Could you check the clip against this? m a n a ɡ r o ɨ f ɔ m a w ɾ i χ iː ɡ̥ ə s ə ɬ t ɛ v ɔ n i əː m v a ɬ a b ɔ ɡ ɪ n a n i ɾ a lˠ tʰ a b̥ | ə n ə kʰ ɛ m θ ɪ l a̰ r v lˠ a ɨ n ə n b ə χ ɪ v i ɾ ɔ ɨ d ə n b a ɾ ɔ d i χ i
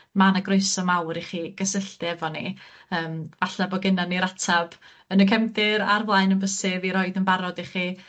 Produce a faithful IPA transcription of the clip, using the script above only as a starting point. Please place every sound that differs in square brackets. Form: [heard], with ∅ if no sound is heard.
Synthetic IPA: m a n a ɡ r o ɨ [s] ɔ m a w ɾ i χ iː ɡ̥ ə s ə ɬ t ɛ v ɔ n i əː m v a ɬ a b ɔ ɡ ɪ n a n i ɾ a [∅] tʰ a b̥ | ə n ə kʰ ɛ m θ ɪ [ɾ] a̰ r v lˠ a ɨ n ə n b ə [s] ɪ v i ɾ ɔ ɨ d ə n b a ɾ ɔ d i χ i